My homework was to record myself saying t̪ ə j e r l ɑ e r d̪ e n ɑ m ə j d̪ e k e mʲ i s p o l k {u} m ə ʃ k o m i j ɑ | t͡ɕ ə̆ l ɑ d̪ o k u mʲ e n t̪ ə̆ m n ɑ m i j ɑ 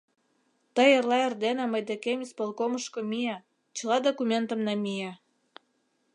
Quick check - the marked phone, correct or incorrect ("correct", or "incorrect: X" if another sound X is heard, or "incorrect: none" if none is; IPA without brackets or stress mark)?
incorrect: o